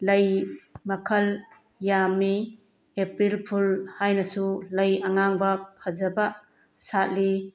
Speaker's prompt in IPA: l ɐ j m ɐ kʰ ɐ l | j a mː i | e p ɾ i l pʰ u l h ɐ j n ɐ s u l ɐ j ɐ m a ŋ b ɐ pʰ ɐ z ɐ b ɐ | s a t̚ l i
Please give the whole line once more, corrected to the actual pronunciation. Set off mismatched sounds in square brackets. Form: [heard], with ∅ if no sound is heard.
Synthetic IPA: l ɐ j m ɐ kʰ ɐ l | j a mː i | e p ɾ i l pʰ u l h [a] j n ɐ s u l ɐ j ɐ [ŋ] a ŋ b ɐ pʰ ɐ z ɐ b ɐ | s a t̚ l i

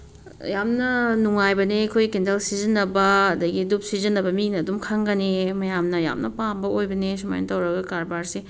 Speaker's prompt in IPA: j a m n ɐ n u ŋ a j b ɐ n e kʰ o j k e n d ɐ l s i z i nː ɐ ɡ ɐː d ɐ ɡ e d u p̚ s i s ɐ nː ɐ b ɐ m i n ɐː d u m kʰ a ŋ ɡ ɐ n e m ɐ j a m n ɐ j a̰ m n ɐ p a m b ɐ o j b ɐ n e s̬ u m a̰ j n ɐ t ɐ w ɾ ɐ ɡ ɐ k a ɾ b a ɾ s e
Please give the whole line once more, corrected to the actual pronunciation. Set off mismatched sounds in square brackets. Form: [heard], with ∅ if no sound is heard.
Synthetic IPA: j a m n ɐ n u ŋ a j b ɐ n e kʰ o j k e n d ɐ l s i z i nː ɐ [b] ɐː d ɐ ɡ [i] d u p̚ s i [z] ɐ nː ɐ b ɐ m i n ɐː d u m kʰ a ŋ ɡ ɐ n e m ɐ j a m n ɐ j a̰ m n ɐ p a m b ɐ o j b ɐ n e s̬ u m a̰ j n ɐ t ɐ w ɾ ɐ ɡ ɐ k a ɾ b a ɾ s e

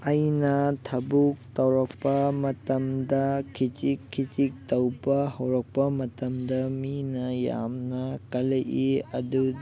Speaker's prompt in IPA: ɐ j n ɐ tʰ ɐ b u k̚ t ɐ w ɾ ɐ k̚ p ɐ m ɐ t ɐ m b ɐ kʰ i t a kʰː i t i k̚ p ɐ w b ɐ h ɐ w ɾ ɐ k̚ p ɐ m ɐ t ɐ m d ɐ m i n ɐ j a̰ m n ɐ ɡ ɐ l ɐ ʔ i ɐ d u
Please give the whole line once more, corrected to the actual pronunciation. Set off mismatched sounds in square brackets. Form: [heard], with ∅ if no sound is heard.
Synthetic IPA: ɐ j n ɐ tʰ ɐ b u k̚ t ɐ w ɾ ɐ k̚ p ɐ m ɐ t ɐ m [d] ɐ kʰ i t [i] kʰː i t i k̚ [t] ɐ w b ɐ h ɐ w ɾ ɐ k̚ p ɐ m ɐ t ɐ m d ɐ m i n ɐ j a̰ m n ɐ [k] ɐ l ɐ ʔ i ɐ d u

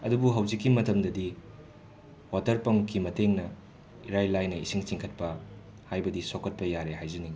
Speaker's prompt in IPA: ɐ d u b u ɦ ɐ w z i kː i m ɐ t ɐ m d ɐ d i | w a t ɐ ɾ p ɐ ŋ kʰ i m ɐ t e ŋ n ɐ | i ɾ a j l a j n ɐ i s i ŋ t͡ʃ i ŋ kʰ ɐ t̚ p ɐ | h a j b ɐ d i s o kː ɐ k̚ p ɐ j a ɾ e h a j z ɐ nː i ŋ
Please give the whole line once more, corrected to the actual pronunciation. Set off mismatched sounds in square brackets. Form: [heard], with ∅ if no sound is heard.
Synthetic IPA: ɐ d u b u ɦ ɐ w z i kː i m ɐ t ɐ m d ɐ d i | w a t ɐ ɾ p ɐ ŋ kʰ i m ɐ t e ŋ n ɐ | i ɾ a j l a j n ɐ i s i ŋ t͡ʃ i ŋ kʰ ɐ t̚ p ɐ | h a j b ɐ d i s o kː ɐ [t̚] p ɐ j a ɾ e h a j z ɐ [n] i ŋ

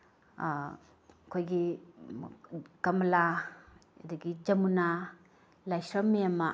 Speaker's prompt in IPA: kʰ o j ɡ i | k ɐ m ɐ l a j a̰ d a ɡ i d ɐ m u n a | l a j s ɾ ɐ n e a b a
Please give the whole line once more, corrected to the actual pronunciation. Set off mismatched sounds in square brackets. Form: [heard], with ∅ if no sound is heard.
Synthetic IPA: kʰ o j ɡ i | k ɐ m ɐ l a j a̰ d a ɡ i [d͡ʒ] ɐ m u n a | l a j s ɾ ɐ [m] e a [m] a

